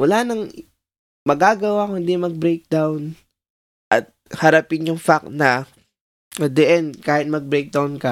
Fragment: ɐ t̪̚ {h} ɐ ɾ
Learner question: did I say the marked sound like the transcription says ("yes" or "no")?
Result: yes